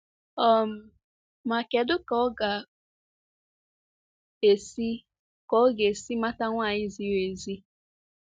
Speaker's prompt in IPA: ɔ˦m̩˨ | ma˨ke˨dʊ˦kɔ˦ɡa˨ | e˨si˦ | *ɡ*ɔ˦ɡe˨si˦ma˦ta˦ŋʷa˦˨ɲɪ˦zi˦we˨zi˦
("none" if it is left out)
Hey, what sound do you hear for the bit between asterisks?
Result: k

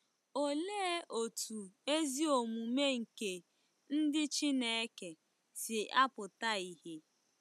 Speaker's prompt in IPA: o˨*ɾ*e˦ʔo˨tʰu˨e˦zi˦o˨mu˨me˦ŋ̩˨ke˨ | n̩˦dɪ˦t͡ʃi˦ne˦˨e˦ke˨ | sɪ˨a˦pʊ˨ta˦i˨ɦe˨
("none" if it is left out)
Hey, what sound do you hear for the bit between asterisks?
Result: l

